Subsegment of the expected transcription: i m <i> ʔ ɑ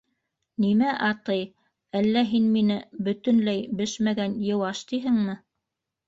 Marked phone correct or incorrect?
incorrect